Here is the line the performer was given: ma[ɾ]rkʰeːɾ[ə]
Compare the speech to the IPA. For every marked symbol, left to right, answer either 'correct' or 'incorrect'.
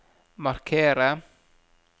incorrect: none, incorrect: a

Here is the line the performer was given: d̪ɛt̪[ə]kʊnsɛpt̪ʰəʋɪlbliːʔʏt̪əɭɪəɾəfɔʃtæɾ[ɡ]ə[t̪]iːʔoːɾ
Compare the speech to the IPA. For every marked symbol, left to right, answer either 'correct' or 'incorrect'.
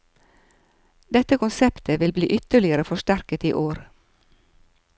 correct, incorrect: k, correct

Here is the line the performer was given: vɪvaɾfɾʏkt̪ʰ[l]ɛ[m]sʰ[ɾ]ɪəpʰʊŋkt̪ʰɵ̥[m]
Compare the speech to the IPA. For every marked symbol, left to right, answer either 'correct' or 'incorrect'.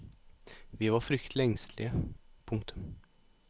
correct, incorrect: ŋ, incorrect: l, correct

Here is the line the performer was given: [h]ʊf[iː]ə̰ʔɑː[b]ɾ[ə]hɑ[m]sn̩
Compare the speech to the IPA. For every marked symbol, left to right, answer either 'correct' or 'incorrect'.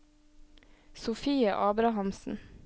incorrect: s, correct, correct, incorrect: ɑ, correct

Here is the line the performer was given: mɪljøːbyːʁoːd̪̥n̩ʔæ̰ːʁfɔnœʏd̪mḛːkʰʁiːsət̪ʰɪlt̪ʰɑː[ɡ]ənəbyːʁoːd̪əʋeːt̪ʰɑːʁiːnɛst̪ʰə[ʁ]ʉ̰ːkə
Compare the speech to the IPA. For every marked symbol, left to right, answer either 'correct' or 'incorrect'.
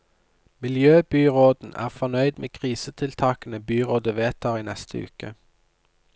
incorrect: k, incorrect: none

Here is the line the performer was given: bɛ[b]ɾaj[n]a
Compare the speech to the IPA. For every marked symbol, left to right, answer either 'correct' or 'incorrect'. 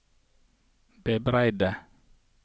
correct, incorrect: d

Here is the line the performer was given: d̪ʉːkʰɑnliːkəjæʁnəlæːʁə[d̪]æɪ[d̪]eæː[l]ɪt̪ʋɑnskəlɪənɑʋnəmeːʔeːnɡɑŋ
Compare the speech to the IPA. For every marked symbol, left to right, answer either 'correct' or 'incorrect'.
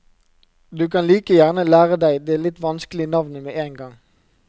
correct, correct, correct

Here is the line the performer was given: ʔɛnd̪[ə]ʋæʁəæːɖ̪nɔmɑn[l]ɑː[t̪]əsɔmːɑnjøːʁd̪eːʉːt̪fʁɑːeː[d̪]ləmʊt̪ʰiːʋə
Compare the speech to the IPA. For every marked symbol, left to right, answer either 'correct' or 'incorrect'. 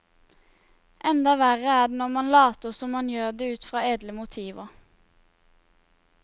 incorrect: ɑ, correct, correct, correct

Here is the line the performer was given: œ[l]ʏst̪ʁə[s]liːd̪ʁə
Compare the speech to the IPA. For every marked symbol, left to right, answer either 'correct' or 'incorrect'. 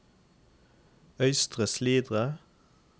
incorrect: none, correct

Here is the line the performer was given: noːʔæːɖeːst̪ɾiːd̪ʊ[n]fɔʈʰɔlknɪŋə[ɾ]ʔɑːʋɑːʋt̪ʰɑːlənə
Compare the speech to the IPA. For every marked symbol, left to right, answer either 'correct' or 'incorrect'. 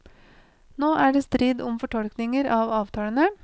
incorrect: m, correct

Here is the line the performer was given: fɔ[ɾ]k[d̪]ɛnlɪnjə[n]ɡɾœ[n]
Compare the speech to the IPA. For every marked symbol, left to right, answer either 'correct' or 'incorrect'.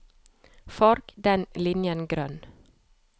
correct, correct, correct, correct

